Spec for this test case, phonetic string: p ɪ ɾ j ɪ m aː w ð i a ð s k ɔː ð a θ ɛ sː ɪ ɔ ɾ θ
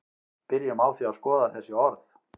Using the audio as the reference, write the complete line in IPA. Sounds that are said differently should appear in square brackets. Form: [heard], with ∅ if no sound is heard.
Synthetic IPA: p ɪ ɾ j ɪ m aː w [θ] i a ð s k ɔː ð a θ ɛ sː ɪ ɔ ɾ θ